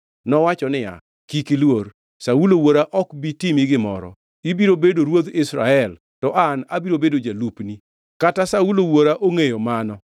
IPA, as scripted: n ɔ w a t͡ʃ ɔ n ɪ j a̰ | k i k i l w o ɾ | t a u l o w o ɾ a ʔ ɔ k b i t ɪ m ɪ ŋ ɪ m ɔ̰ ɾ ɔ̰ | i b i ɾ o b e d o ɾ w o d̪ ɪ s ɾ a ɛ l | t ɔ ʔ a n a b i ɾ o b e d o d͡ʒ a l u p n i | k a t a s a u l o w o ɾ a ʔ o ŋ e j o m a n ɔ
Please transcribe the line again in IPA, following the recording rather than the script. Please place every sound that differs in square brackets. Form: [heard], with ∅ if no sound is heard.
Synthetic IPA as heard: n ɔ w a t͡ʃ ɔ n ɪ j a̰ | k i k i l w o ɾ | [s] a u l o w o ɾ a ʔ ɔ k b i t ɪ m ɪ [ɡ] ɪ m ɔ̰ ɾ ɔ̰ | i b i ɾ o b e d o ɾ w o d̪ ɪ s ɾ a ɛ l | t ɔ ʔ a n a b i ɾ o b e d o d͡ʒ a l u p n i | k a t a s a u l o w o ɾ a ʔ o ŋ e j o m a n ɔ